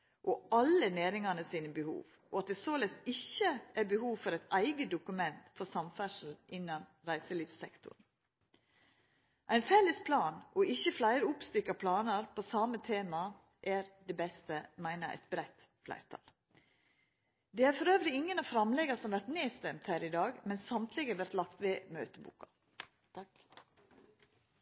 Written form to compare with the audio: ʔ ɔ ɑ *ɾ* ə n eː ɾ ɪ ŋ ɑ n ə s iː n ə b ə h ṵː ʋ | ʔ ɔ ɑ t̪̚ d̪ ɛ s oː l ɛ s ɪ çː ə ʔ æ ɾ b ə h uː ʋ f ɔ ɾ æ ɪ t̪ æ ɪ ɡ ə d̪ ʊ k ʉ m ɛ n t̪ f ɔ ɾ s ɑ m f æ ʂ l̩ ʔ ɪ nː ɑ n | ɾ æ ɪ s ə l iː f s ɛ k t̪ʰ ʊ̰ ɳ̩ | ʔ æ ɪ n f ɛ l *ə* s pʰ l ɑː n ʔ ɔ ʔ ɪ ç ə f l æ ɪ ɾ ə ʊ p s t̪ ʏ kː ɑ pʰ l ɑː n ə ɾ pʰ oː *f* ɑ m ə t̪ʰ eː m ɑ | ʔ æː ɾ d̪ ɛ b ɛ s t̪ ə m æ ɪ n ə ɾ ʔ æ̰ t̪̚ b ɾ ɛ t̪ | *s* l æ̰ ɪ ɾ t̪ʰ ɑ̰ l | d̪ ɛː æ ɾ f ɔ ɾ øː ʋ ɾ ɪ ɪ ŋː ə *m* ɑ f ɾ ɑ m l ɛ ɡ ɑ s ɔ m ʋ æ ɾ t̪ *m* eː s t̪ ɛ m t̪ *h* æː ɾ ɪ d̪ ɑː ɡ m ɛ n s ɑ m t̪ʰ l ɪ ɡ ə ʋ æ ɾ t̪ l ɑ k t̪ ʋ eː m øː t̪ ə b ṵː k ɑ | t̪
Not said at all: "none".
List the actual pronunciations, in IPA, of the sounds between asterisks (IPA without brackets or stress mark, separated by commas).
l, ə, s, f, n, n, h